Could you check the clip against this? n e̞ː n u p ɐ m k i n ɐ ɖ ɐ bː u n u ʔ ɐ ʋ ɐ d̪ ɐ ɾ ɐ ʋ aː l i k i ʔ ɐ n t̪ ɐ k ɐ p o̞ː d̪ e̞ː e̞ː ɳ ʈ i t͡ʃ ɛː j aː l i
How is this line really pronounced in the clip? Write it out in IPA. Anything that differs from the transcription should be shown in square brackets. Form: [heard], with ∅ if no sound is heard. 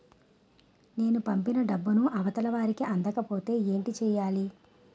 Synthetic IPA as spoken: n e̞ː n u p ɐ m [p] i n ɐ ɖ ɐ bː u n u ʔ ɐ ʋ ɐ [t̪] ɐ [l] ɐ ʋ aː [ɾ] i k i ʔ ɐ n [d̪] ɐ k ɐ p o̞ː [t̪] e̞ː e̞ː ɳ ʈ i t͡ʃ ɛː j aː l i